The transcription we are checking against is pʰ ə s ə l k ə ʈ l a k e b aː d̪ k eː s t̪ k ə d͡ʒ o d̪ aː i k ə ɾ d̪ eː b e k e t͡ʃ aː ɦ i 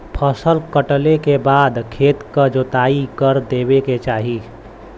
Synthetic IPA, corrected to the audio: pʰ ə s ə l k ə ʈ l e k e b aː d̪ kʰ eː t̪ k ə d͡ʒ o t̪ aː i k ə ɾ d̪ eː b e k e t͡ʃ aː ɦ i